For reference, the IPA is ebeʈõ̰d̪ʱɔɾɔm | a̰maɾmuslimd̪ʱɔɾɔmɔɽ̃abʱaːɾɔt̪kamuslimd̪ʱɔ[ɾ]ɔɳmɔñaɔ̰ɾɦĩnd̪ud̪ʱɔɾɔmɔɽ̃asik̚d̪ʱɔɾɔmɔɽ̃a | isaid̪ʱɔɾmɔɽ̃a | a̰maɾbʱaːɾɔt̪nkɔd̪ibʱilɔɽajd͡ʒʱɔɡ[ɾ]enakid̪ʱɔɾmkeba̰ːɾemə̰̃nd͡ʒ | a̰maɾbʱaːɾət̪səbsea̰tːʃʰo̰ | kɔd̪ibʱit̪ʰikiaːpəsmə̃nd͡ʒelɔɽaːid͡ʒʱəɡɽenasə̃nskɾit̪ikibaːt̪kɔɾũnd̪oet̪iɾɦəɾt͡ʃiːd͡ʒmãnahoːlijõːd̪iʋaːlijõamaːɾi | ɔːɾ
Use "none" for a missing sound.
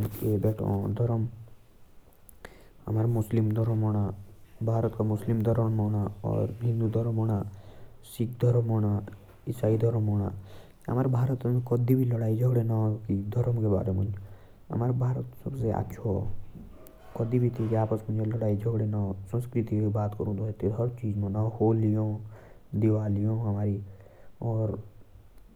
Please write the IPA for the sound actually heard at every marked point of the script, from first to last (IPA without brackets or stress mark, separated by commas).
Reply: ɾ, ɽ